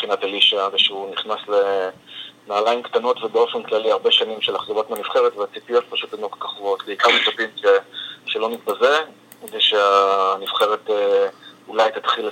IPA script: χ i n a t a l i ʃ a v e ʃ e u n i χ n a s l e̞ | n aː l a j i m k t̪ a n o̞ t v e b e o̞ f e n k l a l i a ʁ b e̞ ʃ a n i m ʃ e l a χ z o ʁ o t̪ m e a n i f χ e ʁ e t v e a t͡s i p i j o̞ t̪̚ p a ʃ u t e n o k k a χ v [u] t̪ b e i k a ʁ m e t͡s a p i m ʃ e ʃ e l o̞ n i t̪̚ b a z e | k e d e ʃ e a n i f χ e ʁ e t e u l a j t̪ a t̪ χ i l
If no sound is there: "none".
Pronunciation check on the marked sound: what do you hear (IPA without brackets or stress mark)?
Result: o